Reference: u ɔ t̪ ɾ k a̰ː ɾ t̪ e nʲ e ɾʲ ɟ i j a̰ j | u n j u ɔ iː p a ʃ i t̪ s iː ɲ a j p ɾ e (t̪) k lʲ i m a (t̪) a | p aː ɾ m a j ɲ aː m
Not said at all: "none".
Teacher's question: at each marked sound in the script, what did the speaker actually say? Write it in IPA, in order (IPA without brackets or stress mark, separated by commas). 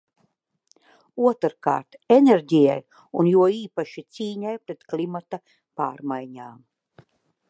t̪, t̪